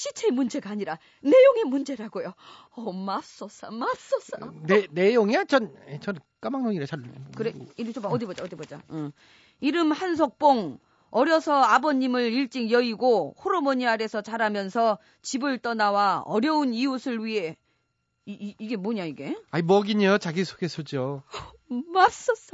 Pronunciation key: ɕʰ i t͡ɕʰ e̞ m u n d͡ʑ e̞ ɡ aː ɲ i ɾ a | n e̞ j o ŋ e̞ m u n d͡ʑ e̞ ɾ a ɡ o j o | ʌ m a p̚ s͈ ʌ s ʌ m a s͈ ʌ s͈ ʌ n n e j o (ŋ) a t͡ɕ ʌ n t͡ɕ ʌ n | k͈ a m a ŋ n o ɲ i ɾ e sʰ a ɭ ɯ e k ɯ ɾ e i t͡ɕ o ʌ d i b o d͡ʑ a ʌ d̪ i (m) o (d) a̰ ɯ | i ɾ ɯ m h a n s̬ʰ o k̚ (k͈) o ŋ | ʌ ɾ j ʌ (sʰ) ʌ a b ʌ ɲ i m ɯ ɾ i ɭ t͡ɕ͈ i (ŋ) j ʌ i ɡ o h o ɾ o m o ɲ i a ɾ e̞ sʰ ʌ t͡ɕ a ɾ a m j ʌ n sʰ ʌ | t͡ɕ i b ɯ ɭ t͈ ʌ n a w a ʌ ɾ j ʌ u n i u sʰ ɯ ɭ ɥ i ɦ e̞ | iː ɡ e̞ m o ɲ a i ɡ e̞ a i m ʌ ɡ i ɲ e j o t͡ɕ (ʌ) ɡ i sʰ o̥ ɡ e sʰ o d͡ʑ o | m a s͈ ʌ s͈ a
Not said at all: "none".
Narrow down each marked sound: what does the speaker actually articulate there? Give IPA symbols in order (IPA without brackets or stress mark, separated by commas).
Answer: ŋ, b, d͡ʑ, p͈, sʰ, ŋ, a